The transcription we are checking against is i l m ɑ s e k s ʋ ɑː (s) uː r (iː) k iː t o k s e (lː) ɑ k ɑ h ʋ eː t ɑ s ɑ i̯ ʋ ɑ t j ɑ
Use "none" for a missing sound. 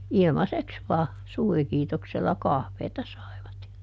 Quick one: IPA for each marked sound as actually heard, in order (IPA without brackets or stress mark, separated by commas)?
s, i, lː